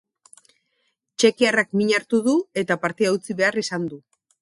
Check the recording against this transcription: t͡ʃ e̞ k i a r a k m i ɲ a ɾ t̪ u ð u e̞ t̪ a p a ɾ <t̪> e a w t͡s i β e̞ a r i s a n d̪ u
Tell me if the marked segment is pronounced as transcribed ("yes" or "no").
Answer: yes